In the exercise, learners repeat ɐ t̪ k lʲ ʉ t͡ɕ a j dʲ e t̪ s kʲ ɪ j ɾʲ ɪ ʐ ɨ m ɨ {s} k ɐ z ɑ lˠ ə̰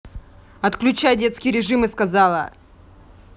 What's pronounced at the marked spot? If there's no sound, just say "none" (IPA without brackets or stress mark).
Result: s